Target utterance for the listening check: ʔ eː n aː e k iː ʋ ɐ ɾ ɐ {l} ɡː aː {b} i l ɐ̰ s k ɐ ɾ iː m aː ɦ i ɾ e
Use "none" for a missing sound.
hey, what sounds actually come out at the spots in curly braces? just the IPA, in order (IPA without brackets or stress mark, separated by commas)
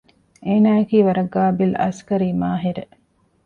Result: none, b